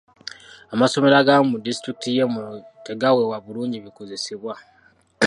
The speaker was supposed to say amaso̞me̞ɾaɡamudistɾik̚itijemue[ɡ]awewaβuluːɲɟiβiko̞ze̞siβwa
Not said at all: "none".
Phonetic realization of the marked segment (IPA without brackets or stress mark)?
ɡ